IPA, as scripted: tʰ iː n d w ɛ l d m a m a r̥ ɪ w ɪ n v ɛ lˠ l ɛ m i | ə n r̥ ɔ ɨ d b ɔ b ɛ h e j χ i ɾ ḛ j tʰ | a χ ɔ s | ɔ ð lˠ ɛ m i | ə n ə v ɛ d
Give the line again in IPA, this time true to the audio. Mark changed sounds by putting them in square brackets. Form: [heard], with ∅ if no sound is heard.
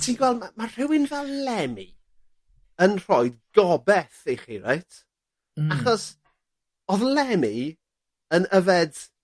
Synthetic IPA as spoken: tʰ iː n [ɡ] w ɛ l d m a m a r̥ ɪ w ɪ n v ɛ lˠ l ɛ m i | ə n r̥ ɔ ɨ d [ɡ] ɔ b ɛ [θ] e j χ i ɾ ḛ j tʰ | a χ ɔ s | ɔ ð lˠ ɛ m i | ə n ə v ɛ d

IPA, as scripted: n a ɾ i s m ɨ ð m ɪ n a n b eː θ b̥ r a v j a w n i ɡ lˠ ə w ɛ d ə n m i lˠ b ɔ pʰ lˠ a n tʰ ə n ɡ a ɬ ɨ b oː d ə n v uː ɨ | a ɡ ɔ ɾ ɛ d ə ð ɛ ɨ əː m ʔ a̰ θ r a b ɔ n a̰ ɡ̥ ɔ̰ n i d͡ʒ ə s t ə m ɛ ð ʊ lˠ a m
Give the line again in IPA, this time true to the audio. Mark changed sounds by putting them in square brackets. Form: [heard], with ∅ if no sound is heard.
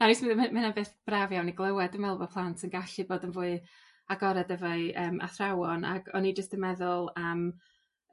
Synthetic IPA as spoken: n a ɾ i s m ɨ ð m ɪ n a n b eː θ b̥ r a v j a w n i ɡ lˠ ə w ɛ d ə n m [ɛ] lˠ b ɔ pʰ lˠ a n tʰ ə n ɡ a ɬ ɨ b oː d ə n v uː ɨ | a ɡ ɔ ɾ ɛ d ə [v] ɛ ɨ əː m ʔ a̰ θ r a [w] ɔ n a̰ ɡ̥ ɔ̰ n i d͡ʒ ə s t ə m ɛ ð ʊ lˠ a m

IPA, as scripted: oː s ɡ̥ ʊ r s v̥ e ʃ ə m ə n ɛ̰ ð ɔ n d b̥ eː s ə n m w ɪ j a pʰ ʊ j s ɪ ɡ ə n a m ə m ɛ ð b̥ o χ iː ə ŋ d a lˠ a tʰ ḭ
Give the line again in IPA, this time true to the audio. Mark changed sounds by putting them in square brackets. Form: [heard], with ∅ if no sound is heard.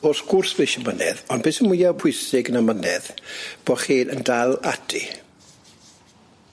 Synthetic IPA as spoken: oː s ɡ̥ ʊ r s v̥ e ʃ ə m ə n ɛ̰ ð ɔ n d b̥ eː s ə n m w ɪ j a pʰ ʊ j s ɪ ɡ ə n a m ə [n] ɛ ð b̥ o χ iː ə [n] d a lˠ a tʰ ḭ

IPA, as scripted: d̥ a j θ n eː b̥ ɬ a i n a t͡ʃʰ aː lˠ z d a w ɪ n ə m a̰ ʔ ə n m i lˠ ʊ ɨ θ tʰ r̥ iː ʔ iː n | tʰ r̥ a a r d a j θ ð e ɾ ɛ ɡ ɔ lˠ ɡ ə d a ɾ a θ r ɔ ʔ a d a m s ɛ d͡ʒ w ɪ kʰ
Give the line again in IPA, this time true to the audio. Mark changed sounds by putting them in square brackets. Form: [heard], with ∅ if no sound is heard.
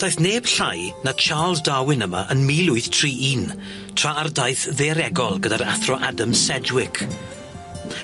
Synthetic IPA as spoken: d̥ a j θ n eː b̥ ɬ a [j] n a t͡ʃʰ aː lˠ z d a w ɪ n ə m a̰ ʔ ə n m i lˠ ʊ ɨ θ tʰ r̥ iː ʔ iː n | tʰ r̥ a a r d a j θ ð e ɾ ɛ ɡ ɔ lˠ ɡ ə d a ɾ a θ r ɔ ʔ a d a m s ɛ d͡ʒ w ɪ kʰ

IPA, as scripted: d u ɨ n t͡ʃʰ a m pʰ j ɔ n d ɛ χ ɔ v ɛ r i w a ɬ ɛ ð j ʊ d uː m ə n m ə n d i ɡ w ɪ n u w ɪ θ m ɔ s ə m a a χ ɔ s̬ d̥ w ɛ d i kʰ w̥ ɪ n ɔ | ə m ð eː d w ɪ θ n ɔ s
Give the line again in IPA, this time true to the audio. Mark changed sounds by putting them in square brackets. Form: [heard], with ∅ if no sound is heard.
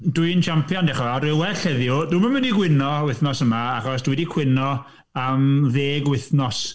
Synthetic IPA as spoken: d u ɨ n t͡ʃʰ a m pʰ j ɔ n d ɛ χ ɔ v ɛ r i w [ɛ] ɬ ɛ ð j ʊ d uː m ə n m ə n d i ɡ w ɪ n [ɔ] w ɪ θ [n] ɔ s ə m a a χ ɔ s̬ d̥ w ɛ d i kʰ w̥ ɪ n ɔ | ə m ð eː [ɡ] w ɪ θ n ɔ s

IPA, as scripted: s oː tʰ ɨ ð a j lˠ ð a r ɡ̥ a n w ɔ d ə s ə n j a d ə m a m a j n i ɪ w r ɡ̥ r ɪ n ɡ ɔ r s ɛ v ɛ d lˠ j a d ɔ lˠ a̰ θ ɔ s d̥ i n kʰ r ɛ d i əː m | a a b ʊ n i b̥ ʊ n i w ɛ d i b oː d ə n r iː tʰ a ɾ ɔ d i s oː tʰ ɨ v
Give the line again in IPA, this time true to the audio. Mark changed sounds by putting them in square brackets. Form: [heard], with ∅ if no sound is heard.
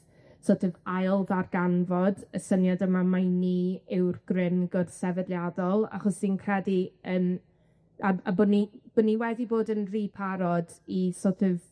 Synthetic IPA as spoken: s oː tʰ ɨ [v] a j lˠ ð a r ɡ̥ a n [v] ɔ d ə s ə n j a d ə m a m a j n i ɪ w r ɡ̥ r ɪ n ɡ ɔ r s ɛ v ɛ d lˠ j a d ɔ lˠ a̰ [χ] ɔ s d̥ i n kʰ r ɛ d i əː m | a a b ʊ n i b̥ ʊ n i w ɛ d i b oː d ə n r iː [pʰ] a ɾ ɔ d i s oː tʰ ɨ v

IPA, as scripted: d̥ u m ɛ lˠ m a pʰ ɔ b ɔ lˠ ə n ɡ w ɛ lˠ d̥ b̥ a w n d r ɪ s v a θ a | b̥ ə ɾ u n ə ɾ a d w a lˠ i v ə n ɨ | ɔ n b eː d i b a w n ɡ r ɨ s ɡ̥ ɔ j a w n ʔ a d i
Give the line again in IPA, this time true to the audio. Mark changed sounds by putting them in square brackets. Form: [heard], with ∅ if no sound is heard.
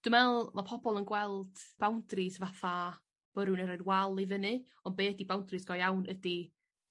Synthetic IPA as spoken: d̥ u m ɛ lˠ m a pʰ ɔ b ɔ lˠ ə n ɡ w ɛ lˠ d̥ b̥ a w n d r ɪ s v a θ a | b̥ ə ɾ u n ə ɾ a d w a lˠ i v ə n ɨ | ɔ n b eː d i b a w n [d] r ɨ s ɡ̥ ɔ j a w n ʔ [ə] d i

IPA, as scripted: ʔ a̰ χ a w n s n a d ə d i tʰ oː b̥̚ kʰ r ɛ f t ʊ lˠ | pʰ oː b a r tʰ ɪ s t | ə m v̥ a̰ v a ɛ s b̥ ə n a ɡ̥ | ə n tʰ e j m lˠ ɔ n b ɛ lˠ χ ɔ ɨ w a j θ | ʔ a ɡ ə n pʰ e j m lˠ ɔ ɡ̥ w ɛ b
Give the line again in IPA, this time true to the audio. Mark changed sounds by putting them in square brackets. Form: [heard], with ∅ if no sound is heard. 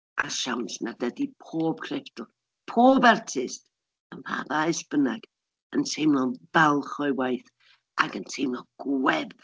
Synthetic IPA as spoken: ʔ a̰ [ʃ] a w n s n a d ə d i [pʰ] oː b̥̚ kʰ r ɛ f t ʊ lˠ | pʰ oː b a r tʰ ɪ s t | ə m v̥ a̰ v a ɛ s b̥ ə n a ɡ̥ | ə n tʰ e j m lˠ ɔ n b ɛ lˠ χ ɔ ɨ w a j θ | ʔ a ɡ ə n [tʰ] e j m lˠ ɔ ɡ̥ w ɛ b

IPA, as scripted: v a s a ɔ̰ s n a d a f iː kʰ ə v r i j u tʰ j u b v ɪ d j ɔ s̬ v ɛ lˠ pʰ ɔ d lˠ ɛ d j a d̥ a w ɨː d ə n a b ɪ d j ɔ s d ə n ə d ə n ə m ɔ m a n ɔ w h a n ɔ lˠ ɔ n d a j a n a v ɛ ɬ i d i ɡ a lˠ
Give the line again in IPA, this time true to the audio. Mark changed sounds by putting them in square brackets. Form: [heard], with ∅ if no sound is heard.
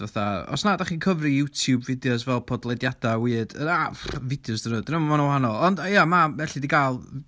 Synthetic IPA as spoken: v a [θ] a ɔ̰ s n a d a [χ] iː kʰ ə v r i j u tʰ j u b v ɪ d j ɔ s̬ v ɛ lˠ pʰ ɔ d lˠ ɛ d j a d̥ a w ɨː d ə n a [v] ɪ d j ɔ s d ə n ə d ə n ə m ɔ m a n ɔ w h a n ɔ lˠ ɔ n d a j a [m] a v ɛ ɬ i d i ɡ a lˠ

